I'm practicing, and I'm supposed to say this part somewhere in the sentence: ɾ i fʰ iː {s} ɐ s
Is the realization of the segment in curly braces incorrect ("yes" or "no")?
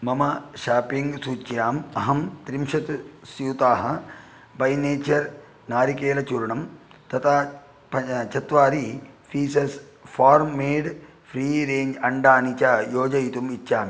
no